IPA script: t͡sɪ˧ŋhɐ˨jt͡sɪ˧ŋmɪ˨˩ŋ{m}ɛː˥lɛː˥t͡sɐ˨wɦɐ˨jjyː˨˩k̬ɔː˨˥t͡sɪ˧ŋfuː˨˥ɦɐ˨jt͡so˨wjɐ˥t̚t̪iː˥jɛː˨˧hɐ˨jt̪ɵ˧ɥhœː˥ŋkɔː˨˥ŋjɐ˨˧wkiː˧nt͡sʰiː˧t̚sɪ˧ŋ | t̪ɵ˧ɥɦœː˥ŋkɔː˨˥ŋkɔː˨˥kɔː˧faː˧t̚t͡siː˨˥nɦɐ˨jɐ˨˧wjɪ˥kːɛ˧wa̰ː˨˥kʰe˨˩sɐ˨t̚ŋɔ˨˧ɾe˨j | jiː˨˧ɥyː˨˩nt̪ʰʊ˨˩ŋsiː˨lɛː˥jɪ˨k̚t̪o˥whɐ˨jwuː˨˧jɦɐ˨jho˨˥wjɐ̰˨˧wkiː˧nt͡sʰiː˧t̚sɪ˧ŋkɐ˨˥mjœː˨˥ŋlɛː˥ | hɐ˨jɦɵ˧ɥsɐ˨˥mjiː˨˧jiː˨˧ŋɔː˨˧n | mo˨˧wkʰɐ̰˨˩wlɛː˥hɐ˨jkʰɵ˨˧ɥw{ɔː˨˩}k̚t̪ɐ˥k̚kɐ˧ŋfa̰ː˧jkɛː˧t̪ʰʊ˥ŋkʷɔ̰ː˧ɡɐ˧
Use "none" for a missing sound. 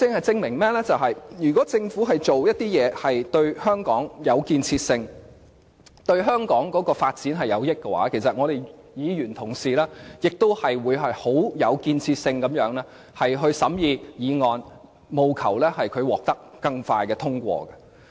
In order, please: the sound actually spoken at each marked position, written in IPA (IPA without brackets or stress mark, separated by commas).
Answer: m, ɔː˨˩